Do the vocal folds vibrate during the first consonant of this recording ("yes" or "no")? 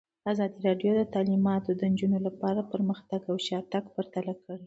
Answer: yes